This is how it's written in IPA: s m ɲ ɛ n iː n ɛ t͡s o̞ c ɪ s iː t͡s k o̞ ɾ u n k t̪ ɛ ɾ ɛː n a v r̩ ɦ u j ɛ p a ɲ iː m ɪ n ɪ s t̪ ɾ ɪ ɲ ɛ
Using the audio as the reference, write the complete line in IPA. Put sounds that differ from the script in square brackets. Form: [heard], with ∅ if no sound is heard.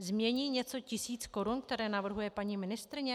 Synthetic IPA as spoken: [z] m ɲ ɛ [ɲ] iː [ɲ] ɛ t͡s o̞ c ɪ s iː t͡s k o̞ ɾ u n k t̪ ɛ ɾ ɛː n a v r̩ ɦ u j ɛ p a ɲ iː m ɪ n ɪ s t̪ ɾ ɪ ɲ ɛ